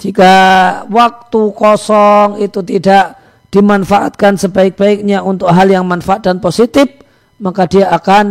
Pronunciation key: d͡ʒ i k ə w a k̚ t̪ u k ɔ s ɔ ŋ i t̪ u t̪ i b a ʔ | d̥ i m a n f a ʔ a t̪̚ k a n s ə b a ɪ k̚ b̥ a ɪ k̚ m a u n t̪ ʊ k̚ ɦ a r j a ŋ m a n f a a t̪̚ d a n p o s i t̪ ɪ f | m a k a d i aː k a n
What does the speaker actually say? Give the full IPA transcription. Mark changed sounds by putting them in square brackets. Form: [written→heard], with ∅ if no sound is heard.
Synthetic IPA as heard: d͡ʒ i k [ə→a] w a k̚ t̪ u k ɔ s ɔ ŋ i t̪ u t̪ i [b→d] a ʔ | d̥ i m a n f a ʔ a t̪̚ k a n s ə b a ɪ k̚ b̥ a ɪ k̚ [m→ɲ] a u n t̪ ʊ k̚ ɦ a [r→l] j a ŋ m a n f a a t̪̚ d a n p o s i t̪ ɪ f | m a k a d i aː k a n